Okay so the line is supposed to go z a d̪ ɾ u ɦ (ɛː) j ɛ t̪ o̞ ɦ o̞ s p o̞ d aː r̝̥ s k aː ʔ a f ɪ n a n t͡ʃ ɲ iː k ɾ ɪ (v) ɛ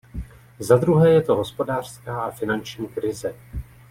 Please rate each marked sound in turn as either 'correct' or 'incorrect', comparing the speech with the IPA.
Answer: correct, incorrect

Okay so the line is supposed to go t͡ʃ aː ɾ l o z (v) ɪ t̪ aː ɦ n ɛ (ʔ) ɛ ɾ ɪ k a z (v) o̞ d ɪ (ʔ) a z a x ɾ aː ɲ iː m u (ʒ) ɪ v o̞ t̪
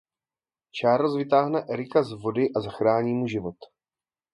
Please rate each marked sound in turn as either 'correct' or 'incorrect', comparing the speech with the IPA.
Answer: correct, correct, correct, correct, correct

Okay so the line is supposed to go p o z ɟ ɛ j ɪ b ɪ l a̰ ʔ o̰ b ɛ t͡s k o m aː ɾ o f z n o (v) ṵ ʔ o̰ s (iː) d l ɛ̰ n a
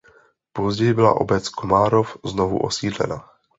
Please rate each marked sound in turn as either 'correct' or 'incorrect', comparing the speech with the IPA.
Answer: correct, correct

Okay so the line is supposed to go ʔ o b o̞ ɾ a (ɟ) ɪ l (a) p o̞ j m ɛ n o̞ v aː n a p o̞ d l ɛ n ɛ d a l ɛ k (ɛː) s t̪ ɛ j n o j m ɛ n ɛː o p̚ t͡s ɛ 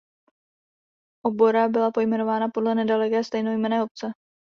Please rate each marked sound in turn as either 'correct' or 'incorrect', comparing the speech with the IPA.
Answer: incorrect, correct, correct

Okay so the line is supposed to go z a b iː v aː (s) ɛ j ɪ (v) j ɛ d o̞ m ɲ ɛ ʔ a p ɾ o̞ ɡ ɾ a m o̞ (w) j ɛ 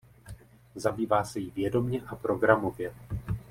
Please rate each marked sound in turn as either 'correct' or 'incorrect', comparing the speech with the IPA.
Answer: correct, correct, incorrect

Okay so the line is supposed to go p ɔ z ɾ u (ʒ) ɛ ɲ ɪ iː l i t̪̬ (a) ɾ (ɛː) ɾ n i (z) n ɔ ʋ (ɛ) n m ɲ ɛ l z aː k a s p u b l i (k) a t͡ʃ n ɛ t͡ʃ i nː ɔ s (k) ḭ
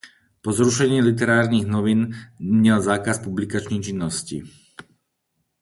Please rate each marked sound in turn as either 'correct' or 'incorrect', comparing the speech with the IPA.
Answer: incorrect, incorrect, incorrect, incorrect, incorrect, correct, incorrect

